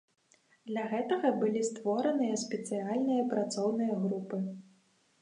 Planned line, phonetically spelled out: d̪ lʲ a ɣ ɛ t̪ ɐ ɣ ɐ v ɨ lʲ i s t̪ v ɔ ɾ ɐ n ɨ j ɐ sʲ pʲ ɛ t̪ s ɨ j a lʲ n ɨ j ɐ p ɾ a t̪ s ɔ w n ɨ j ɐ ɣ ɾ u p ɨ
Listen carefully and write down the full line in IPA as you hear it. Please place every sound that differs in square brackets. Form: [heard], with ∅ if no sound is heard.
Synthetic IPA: d̪ lʲ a ɣ ɛ t̪ ɐ ɣ ɐ [b] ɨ lʲ i s t̪ v ɔ ɾ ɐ n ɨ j ɐ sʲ pʲ ɛ t̪ s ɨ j a lʲ n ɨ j ɐ p ɾ a t̪ s ɔ w n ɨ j ɐ ɣ ɾ u p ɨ